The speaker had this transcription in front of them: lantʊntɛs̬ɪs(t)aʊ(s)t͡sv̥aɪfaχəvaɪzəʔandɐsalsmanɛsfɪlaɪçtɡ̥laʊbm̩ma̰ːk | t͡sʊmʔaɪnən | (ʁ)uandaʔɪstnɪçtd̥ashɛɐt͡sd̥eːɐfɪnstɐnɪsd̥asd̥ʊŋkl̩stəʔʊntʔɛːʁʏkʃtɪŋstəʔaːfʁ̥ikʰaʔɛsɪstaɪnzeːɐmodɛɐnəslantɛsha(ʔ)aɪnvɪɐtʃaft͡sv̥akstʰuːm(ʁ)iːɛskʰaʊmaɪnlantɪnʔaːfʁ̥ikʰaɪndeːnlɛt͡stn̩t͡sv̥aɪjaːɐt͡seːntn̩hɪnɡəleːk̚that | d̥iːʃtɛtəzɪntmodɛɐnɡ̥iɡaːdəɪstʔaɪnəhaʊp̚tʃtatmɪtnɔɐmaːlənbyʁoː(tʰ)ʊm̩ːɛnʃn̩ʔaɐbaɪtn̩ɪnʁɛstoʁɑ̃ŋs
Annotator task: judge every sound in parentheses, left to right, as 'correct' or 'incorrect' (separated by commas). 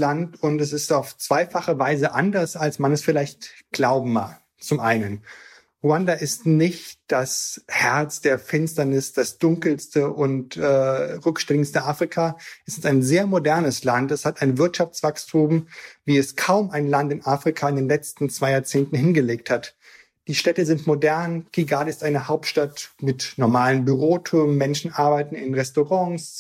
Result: correct, incorrect, correct, incorrect, incorrect, correct